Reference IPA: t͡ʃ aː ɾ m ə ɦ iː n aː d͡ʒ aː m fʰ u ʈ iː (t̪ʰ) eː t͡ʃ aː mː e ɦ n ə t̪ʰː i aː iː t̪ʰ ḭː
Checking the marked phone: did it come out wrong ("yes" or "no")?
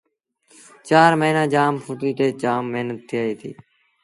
yes